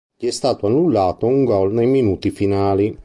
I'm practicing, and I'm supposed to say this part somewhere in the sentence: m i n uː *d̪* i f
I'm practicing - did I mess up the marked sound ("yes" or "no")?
yes